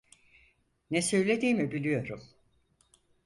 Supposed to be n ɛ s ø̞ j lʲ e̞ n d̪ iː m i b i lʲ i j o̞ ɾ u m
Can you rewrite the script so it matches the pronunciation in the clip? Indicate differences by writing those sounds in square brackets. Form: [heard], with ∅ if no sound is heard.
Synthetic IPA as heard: n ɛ s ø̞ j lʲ e̞ [∅] d̪ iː m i b i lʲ i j o̞ ɾ u m

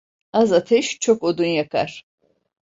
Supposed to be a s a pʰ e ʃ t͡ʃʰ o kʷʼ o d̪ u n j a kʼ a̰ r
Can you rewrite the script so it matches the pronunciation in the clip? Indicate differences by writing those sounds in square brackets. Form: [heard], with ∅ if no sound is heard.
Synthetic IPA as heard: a [z] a [tʰ] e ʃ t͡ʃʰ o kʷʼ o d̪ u n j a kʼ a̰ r

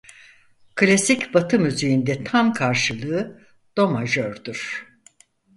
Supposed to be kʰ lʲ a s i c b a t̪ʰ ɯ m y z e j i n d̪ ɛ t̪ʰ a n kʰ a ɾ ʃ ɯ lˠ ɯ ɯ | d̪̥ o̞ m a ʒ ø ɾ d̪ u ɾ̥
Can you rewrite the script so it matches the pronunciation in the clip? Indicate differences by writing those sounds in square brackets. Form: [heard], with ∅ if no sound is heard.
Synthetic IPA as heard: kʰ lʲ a s i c b a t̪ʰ ɯ m y z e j i n d̪ ɛ t̪ʰ a [m] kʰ a ɾ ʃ ɯ lˠ ɯ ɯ | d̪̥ o̞ m a ʒ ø ɾ d̪ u ɾ̥

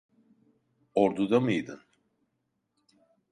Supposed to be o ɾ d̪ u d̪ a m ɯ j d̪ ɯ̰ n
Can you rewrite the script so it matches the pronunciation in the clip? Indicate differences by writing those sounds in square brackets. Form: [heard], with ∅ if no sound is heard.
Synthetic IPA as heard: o ɾ d̪ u d̪ a m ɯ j d̪ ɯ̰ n

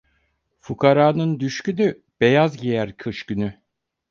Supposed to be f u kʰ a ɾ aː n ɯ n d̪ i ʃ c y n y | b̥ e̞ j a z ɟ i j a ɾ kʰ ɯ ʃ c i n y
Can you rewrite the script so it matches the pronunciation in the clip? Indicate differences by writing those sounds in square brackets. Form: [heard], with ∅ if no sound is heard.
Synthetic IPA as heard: f u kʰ a ɾ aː n ɯ n d̪ [y] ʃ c y n y | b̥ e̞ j a z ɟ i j [æ] ɾ kʰ ɯ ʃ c [y] n y

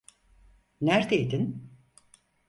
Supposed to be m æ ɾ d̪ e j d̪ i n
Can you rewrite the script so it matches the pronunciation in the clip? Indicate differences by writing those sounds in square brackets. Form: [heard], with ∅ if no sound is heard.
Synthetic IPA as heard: [n] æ ɾ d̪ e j d̪ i n

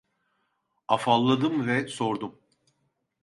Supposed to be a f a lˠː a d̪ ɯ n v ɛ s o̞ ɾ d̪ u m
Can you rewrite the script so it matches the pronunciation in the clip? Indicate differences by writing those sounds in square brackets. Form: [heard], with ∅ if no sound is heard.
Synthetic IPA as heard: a f a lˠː a d̪ ɯ [m] v ɛ s o̞ ɾ d̪ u m

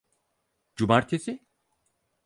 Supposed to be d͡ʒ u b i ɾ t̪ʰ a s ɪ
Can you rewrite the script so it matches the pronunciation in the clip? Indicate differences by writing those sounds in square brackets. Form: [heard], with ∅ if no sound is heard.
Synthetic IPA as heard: d͡ʒ u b [a] ɾ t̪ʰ [e] s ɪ

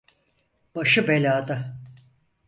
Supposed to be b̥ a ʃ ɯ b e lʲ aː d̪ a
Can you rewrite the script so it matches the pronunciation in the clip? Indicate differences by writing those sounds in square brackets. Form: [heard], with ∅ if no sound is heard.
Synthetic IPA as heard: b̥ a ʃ ɯ b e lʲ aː d̪ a

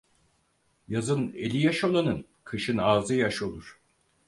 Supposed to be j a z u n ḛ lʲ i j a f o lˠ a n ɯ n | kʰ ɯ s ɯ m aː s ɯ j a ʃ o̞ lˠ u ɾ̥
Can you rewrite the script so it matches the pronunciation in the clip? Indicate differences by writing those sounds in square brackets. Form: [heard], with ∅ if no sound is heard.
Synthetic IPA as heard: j a z [ɯ] n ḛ lʲ i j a [ʃ] o lˠ a n ɯ n | kʰ ɯ [ʃ] ɯ [n] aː [z] ɯ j a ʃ o̞ lˠ u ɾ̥

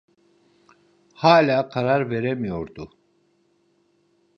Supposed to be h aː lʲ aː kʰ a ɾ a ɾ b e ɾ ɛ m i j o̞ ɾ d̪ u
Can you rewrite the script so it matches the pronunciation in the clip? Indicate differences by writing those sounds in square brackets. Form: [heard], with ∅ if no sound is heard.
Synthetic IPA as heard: h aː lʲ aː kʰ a ɾ a ɾ [v] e ɾ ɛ m i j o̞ ɾ d̪ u

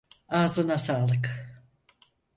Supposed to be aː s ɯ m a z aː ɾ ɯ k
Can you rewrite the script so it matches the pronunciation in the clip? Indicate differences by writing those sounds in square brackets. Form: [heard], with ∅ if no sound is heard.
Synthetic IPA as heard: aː [z] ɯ [n] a [s] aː [l] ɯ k

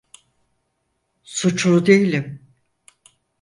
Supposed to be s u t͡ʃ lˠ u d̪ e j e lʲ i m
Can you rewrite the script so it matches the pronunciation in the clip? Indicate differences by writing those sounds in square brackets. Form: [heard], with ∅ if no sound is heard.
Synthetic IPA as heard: s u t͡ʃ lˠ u d̪ e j [i] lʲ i m

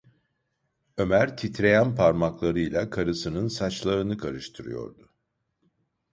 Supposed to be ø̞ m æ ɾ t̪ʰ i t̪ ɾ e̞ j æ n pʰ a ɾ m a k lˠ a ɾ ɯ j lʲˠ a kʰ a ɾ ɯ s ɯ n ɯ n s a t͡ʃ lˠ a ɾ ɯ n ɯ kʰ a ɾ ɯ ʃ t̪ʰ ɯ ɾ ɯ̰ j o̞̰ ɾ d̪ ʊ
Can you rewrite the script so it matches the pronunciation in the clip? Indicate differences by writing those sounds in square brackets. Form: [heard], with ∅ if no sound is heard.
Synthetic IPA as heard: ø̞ m æ ɾ t̪ʰ i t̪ ɾ e̞ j æ n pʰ a ɾ m a k lˠ a ɾ ɯ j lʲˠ a kʰ a ɾ ɯ s ɯ n ɯ n s a t͡ʃ lˠ a ɾ ɯ n ɯ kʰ a ɾ ɯ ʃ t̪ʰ ɯ ɾ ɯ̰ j o̞̰ ɾ d̪ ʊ

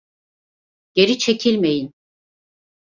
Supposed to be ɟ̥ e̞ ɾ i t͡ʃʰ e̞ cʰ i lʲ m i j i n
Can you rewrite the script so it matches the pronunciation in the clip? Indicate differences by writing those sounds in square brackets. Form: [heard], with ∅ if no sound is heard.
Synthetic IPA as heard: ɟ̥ e̞ ɾ i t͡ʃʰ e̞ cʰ i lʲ m [e] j i n

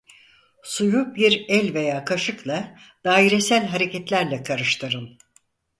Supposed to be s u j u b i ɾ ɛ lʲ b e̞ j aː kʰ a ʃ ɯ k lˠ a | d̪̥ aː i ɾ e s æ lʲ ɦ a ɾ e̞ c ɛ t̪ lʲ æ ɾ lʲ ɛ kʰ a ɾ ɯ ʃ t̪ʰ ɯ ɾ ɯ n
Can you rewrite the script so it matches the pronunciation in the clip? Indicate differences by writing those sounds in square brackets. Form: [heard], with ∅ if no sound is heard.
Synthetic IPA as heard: s u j u b i ɾ ɛ lʲ [v] e̞ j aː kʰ a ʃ ɯ k lˠ a | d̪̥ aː i ɾ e s æ lʲ ɦ a ɾ e̞ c ɛ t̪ lʲ æ ɾ lʲ ɛ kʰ a ɾ ɯ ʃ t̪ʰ ɯ ɾ ɯ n

